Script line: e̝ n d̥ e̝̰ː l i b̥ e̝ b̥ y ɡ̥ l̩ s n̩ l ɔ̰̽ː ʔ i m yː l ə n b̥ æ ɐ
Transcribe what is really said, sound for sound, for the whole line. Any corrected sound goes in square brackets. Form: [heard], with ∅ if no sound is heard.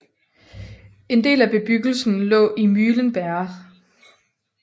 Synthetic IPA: e̝ n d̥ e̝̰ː l [æ] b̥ e̝ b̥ y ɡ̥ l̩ s n̩ l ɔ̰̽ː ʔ i m yː l ə n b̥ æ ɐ